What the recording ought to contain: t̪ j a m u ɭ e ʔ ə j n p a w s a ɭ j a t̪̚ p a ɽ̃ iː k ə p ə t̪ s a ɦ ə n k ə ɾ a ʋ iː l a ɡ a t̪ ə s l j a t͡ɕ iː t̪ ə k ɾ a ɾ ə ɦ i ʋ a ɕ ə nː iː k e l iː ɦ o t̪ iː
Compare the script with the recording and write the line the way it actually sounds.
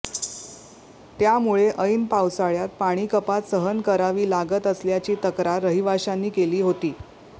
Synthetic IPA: t̪ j a m u ɭ e ʔ ə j n p a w s a ɭ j a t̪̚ p a ɽ̃ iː k ə p a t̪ s ə ɦ ə n k ə ɾ a ʋ iː l a ɡ ə t̪ ə s l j a t͡ɕ iː t̪ ə k ɾ a ɾ ə ɦ i ʋ a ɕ a nː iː k e l iː ɦ o t̪ iː